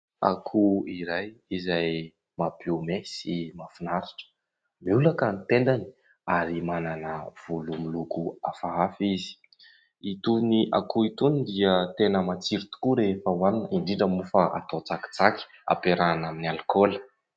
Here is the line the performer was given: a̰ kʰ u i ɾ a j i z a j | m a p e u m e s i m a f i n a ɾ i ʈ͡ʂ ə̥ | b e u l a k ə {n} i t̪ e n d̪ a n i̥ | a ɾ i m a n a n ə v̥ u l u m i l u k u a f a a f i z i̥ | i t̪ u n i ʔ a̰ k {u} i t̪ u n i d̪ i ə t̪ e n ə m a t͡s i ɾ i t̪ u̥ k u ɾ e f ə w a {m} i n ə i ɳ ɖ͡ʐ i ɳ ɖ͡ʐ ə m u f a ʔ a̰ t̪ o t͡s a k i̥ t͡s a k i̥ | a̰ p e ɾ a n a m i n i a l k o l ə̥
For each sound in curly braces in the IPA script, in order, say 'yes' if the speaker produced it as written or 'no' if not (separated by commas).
yes, yes, no